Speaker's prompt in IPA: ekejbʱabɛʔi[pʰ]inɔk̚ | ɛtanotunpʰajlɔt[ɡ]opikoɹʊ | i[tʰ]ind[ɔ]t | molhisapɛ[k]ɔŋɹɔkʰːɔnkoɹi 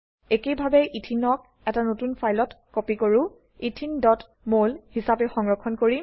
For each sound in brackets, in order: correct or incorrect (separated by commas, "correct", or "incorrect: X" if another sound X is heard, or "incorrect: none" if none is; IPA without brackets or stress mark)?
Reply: incorrect: tʰ, incorrect: k, correct, correct, incorrect: x